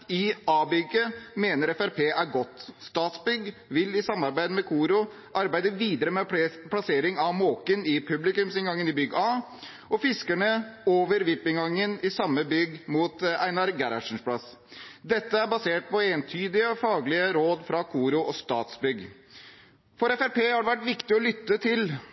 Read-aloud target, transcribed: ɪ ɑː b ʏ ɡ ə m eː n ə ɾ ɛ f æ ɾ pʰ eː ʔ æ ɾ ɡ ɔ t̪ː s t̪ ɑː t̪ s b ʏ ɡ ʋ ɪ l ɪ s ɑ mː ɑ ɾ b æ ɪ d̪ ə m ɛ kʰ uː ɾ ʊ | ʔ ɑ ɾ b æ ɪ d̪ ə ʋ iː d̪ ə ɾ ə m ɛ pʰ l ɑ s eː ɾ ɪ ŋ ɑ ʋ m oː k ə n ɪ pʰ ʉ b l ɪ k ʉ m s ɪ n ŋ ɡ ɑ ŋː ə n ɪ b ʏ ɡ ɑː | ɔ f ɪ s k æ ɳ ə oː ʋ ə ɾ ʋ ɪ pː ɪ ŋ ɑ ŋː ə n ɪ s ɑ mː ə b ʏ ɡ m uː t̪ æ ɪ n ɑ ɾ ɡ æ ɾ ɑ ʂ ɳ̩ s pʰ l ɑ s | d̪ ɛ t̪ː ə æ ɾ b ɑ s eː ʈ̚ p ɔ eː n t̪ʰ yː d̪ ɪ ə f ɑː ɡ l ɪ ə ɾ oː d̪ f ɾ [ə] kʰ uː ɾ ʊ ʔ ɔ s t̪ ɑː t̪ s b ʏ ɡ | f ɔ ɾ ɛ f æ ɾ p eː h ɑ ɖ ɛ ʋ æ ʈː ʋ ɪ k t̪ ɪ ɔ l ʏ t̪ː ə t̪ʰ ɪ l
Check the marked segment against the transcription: incorrect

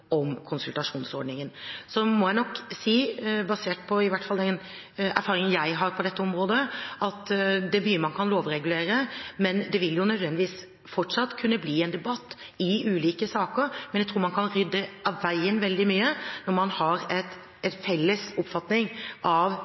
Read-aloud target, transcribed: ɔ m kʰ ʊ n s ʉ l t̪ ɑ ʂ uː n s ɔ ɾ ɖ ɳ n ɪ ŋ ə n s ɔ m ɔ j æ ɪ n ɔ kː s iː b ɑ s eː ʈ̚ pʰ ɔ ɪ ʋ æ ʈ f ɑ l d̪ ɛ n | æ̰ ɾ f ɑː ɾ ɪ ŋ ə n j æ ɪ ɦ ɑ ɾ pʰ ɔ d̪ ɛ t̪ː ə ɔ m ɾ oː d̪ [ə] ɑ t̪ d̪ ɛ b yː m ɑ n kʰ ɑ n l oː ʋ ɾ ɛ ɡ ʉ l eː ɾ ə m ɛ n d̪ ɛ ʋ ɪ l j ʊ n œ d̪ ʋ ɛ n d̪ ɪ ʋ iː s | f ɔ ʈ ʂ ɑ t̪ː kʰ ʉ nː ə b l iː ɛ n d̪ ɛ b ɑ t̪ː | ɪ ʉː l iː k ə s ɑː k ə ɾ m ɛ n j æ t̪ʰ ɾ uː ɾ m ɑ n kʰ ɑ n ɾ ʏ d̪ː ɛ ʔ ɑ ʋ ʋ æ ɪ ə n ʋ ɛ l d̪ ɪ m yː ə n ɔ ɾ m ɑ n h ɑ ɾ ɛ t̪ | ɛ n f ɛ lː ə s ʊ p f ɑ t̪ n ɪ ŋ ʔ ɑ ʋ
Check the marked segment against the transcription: correct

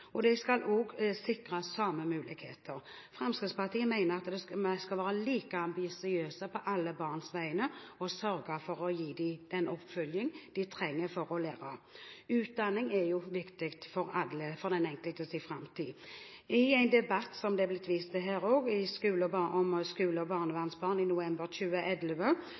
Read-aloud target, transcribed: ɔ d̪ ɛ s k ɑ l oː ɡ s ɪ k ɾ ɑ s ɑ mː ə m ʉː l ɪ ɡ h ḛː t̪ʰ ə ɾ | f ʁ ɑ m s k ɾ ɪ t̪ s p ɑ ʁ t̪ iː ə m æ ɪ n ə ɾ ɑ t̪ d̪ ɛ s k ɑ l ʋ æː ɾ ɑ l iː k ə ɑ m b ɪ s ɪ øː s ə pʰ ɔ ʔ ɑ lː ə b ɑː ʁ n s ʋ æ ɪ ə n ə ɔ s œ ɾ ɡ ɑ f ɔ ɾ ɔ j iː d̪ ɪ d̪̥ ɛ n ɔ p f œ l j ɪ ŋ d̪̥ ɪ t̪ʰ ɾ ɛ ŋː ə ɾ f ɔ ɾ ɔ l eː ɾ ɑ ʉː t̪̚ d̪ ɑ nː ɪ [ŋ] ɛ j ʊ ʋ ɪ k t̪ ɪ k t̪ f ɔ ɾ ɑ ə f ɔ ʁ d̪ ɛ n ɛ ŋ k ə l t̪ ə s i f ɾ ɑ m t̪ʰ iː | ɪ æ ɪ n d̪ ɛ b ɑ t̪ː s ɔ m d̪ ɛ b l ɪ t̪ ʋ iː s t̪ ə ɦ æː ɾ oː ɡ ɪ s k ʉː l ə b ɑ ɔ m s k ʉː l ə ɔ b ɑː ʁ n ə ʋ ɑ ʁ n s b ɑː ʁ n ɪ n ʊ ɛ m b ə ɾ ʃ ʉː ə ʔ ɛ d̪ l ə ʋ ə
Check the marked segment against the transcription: correct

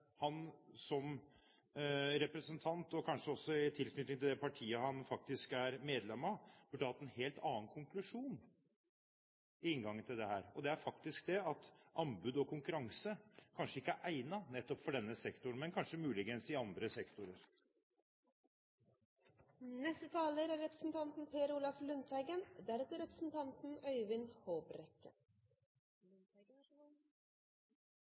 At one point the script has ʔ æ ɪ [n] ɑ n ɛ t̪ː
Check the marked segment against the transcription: correct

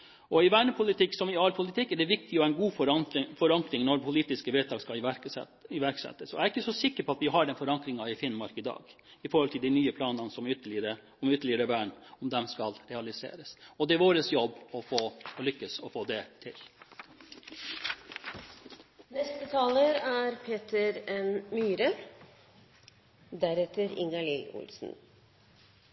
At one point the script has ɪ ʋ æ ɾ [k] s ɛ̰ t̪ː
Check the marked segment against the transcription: correct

